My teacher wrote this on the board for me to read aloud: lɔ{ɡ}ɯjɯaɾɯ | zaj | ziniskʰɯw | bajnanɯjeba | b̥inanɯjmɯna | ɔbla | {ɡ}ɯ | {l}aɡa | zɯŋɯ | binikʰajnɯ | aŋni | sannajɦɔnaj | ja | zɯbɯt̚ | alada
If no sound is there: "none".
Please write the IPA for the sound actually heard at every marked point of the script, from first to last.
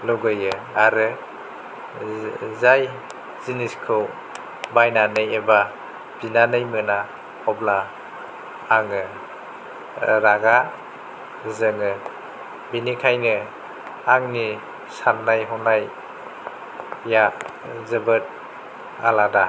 ɡ, ŋ, ɾ

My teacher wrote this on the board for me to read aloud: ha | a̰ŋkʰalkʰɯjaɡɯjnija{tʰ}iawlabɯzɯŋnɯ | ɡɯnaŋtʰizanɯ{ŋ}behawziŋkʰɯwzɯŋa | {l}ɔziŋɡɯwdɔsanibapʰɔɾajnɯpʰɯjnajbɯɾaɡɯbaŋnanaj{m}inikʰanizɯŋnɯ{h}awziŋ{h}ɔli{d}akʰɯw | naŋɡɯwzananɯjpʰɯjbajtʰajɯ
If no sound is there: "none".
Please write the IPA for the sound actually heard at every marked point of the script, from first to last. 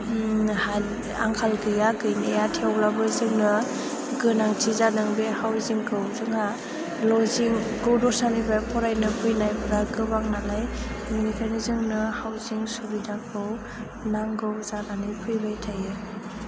tʰ, ŋ, l, m, h, s, d

